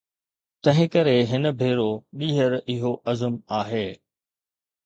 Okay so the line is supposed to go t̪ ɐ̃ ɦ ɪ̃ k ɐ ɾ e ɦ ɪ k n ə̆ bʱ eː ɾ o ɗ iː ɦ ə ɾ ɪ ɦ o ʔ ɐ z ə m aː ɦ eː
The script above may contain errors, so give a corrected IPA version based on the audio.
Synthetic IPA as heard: t̪ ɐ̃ ɦ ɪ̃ k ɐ ɾ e ɦ ɪ n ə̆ bʱ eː ɾ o ɗ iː ɦ ə ɾ ɪ ɦ o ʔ ɐ z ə m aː ɦ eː